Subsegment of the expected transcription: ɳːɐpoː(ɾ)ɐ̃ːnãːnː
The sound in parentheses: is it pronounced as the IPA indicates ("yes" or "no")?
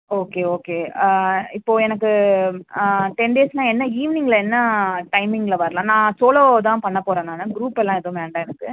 yes